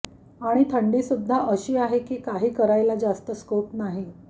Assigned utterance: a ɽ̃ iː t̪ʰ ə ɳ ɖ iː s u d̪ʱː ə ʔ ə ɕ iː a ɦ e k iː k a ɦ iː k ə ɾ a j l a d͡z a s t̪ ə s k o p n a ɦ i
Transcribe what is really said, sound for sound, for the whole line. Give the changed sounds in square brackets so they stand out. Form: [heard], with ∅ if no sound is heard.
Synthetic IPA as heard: a ɽ̃ [i] t̪ʰ ə ɳ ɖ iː s u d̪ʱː [a] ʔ ə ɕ iː a ɦ e k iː k a ɦ iː k ə ɾ a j l a d͡z a s t̪ ə s k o p n a ɦ i